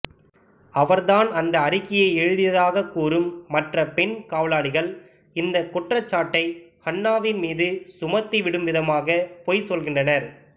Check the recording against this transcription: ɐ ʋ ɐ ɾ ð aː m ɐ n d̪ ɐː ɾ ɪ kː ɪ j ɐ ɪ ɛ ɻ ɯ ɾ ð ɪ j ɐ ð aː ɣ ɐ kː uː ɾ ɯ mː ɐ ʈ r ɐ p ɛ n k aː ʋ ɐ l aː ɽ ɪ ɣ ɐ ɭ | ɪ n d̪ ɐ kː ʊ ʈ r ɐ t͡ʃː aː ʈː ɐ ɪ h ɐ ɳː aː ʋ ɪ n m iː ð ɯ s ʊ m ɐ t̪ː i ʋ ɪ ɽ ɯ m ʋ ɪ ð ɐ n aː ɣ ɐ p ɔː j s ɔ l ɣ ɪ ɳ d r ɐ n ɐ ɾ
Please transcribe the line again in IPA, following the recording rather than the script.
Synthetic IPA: ɐ ʋ ɐ ɾ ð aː n ɐ n d̪ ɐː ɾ ɪ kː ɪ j ɐ ɪ ɛ ɻ ɯ ð ɪ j ɐ ð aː ɣ ɐ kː uː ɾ ɯ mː ɐ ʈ r ɐ p ɛ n k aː ʋ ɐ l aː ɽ ɪ ɣ ɐ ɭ | ɪ n d̪ ɐ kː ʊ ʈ r ɐ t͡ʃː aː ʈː ɐ ɪ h ɐ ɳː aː ʋ ɪ n m iː ð ɯ s ʊ m ɐ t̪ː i ʋ ɪ ɽ ɯ m ʋ ɪ ð ɐ m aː ɣ ɐ p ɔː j s ɔ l ɣ ɪ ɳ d r ɐ n ɐ ɾ